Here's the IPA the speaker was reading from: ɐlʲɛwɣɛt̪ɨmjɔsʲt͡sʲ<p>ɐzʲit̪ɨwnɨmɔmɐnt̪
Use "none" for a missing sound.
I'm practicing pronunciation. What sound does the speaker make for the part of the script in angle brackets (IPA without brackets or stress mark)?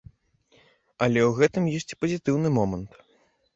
p